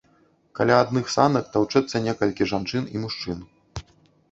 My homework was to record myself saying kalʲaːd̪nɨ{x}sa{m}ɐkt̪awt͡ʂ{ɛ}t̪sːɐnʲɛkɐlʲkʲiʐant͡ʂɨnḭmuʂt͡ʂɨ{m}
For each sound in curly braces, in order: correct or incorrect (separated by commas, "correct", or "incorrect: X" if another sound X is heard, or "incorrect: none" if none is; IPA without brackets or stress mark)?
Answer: correct, incorrect: n, correct, incorrect: n